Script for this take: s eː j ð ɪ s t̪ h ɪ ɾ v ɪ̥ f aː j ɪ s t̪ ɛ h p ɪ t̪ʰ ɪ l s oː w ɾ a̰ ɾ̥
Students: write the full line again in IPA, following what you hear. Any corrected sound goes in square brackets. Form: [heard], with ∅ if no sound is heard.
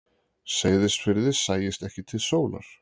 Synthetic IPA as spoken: s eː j ð ɪ s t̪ [f] ɪ ɾ [ð] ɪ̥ [s] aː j ɪ s t̪ ɛ h [c] ɪ t̪ʰ ɪ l s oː w [l] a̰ ɾ̥